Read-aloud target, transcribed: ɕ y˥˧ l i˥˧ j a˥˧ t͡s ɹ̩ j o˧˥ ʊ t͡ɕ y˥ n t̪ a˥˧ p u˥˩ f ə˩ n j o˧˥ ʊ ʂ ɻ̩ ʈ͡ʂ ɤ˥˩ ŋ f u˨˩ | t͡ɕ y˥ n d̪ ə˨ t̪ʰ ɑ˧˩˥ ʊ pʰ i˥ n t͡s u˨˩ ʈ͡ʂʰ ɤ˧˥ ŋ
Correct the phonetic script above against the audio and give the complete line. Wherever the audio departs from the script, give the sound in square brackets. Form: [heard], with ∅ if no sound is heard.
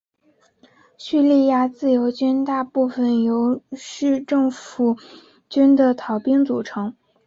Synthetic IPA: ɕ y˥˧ l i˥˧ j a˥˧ t͡s ɹ̩ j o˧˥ ʊ t͡ɕ y˥ n t̪ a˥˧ p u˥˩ f ə˩ n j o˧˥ ʊ ʂ ɻ̩ ʈ͡ʂ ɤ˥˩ ŋ f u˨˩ | t͡ɕ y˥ n d̪ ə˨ t̪ʰ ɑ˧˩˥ ʊ [p] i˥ [ŋ] t͡s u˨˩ ʈ͡ʂʰ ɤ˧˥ ŋ